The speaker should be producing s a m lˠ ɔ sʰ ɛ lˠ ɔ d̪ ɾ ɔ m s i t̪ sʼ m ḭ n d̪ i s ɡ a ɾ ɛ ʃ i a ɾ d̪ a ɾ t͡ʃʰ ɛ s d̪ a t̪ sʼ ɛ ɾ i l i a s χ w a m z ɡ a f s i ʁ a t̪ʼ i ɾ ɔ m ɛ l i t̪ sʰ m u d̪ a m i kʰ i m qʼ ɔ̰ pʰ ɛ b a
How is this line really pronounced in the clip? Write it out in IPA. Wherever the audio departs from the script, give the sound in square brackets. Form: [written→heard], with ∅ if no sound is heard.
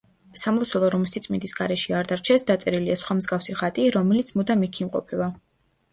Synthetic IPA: s a m lˠ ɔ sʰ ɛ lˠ ɔ [d̪→∅] ɾ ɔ m s i t̪ sʼ m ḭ n d̪ i s ɡ a ɾ ɛ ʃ i a ɾ d̪ a ɾ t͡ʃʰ ɛ s d̪ a t̪ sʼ ɛ ɾ i l i a s χ w a m z ɡ a f s i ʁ a t̪ʼ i ɾ ɔ m ɛ l i t̪ sʰ m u d̪ a m i kʰ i m qʼ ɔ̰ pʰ ɛ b a